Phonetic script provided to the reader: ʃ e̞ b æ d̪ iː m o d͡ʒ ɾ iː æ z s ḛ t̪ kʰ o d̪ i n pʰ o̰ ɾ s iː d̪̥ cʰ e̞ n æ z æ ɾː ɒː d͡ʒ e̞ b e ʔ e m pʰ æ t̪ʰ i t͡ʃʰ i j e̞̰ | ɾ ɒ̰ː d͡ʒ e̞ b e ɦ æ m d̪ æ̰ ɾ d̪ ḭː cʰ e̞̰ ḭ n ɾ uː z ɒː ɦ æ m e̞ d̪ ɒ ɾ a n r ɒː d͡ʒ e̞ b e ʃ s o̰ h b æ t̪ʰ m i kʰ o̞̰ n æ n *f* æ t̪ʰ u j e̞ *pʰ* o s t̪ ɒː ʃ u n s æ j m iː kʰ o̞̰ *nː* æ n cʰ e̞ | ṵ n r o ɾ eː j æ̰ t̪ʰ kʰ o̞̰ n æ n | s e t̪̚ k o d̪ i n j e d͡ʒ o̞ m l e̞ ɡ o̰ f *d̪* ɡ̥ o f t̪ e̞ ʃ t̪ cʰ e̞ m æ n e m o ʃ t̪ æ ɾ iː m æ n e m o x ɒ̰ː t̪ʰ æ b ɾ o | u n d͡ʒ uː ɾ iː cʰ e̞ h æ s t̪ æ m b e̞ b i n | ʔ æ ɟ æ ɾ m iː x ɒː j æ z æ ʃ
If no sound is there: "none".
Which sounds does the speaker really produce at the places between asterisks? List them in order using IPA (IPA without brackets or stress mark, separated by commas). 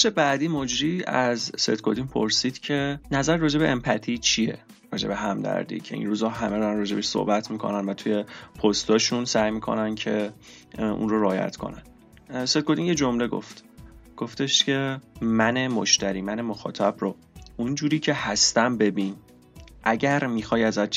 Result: v, pʰ, n, t̪